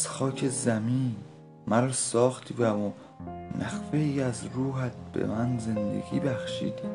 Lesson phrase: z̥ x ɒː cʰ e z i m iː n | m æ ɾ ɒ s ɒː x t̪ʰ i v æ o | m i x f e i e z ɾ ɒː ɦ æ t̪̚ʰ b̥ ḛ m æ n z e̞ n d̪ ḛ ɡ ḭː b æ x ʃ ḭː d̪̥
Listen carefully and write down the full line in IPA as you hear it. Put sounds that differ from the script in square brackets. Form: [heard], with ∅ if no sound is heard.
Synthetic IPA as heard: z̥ x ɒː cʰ e z [æ] m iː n | m æ ɾ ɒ s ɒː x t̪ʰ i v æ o | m [æ] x f e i [æ] z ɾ [uː] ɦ æ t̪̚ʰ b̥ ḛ m æ n z e̞ n d̪ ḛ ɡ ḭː b æ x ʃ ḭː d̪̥